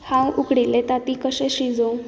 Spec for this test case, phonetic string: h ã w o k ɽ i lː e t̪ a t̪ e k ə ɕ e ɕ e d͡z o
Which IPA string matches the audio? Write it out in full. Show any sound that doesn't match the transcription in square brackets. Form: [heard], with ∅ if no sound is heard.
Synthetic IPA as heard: h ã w [u] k ɽ i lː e t̪ a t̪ [i] k ə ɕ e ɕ [i] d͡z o